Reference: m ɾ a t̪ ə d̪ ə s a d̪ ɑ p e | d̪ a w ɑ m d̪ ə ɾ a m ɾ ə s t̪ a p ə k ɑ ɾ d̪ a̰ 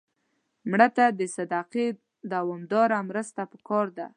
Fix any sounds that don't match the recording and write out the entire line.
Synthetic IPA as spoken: m ɽ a t̪ a d̪ ə s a d̪ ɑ q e | d̪ a w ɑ m d̪ ɑ ɾ a m ɾ ə s t̪ a p ə k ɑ ɾ d̪ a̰